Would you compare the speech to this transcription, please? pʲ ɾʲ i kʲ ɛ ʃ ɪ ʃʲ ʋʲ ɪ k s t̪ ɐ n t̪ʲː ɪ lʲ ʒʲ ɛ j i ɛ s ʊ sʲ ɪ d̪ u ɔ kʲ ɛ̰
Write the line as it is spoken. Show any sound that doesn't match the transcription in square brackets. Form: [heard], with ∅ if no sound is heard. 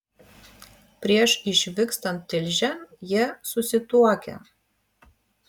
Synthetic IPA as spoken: pʲ ɾʲ i [∅] ɛ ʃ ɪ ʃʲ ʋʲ ɪ k s t̪ ɐ n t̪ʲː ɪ lʲ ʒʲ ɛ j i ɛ s ʊ sʲ ɪ [t̪] u ɔ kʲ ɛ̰